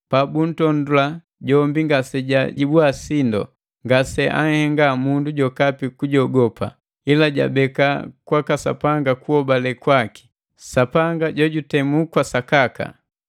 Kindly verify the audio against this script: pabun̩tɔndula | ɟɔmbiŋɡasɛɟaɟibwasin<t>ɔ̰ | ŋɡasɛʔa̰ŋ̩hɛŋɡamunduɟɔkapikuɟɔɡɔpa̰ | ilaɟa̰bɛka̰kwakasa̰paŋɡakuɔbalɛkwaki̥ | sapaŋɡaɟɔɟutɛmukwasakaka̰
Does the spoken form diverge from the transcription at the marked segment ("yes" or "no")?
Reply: yes